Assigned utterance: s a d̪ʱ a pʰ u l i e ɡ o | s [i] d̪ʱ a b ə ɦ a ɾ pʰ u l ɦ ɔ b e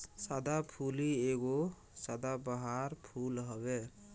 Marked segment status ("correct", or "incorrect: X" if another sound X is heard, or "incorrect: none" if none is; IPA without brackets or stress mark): incorrect: a